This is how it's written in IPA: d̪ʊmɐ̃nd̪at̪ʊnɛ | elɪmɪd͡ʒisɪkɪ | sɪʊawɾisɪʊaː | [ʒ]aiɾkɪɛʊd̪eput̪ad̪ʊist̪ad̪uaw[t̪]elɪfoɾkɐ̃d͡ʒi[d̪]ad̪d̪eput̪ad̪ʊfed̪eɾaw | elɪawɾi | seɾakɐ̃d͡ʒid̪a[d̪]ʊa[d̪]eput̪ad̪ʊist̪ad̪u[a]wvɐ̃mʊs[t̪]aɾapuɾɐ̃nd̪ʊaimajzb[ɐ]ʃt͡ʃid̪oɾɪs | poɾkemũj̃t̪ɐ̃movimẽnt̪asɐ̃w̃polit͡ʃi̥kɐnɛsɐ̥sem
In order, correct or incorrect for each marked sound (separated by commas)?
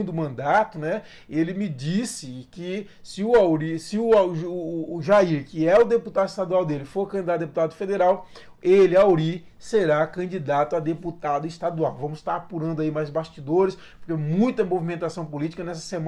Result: correct, incorrect, correct, incorrect, correct, correct, correct, incorrect